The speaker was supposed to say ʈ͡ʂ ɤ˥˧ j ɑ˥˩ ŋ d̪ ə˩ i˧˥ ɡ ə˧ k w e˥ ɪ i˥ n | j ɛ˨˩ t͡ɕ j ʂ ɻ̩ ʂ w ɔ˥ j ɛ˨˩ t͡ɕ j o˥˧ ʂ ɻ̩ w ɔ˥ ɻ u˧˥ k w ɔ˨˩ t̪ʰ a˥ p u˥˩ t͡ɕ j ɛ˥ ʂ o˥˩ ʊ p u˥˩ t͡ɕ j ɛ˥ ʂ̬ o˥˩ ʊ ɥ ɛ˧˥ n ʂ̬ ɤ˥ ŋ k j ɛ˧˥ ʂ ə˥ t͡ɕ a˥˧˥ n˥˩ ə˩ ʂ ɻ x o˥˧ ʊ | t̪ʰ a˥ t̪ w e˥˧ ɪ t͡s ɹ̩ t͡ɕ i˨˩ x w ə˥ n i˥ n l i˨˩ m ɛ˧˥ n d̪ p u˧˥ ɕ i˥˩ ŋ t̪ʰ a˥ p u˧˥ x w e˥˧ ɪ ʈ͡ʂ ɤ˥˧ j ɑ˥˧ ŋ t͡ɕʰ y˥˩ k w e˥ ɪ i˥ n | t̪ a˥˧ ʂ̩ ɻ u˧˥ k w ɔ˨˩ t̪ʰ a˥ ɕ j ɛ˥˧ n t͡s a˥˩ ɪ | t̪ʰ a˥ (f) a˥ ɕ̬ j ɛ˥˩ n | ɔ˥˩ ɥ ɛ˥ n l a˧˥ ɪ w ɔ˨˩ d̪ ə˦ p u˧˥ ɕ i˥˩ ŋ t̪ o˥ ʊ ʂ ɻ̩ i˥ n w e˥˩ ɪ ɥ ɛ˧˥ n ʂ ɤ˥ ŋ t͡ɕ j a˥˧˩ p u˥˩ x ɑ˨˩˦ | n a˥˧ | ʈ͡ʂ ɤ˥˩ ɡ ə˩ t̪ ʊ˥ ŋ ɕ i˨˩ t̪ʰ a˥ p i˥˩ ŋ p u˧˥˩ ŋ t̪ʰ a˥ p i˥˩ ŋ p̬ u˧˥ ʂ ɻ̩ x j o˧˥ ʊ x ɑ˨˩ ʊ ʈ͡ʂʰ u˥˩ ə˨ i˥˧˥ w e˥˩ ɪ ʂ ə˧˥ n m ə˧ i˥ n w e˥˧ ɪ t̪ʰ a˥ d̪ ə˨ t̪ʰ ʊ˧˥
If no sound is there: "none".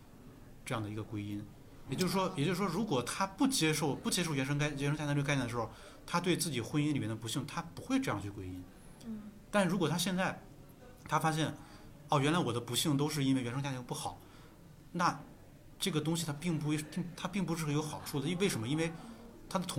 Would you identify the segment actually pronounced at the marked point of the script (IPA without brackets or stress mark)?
f